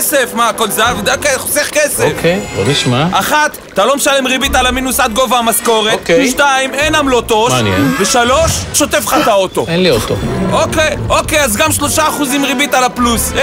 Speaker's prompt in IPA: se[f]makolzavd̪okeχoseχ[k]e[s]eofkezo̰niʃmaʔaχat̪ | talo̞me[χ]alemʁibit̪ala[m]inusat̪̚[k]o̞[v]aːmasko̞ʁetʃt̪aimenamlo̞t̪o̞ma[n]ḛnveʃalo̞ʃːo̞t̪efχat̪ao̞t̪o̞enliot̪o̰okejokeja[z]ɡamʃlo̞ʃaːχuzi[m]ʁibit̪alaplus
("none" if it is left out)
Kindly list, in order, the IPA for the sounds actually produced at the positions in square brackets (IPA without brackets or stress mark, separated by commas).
f, k, s, ʃ, m, ɡ, v, n, z, m